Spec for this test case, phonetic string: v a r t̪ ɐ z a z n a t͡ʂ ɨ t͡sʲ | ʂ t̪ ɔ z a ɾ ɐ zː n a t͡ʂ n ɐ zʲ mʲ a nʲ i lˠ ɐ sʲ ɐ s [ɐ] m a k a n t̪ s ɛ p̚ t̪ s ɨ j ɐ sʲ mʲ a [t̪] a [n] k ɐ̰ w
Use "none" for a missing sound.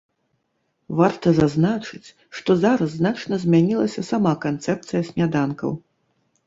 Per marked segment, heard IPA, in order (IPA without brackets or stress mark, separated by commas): a, d̪, n